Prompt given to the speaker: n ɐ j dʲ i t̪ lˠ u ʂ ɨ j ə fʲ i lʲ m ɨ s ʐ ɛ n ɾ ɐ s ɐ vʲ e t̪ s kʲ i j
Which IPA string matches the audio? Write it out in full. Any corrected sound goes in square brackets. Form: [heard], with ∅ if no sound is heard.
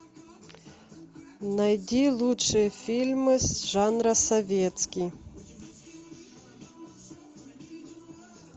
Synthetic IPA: n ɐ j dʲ i [∅] lˠ u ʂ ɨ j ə fʲ i lʲ m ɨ s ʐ [a] n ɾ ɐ s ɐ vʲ e t̪ s kʲ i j